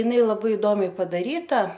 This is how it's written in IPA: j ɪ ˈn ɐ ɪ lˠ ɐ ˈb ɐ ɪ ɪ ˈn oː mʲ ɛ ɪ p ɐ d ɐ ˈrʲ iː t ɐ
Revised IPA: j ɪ ˈn ɐ ɪ lˠ ɐ ˈb ɐ ɪ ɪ ˈd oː mʲ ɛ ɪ p ɐ d ɐ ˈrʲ iː t ɐ